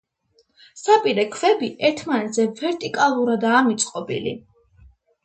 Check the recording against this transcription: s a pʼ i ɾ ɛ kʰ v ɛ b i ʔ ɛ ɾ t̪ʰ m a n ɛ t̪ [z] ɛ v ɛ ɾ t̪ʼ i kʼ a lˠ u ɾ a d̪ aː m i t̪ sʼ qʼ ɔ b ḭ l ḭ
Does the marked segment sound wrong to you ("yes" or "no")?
no